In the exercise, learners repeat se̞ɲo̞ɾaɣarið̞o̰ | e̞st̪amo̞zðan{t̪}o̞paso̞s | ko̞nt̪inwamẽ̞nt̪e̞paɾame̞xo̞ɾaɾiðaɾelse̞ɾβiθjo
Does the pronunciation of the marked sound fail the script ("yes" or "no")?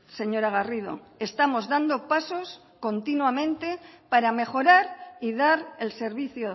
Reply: yes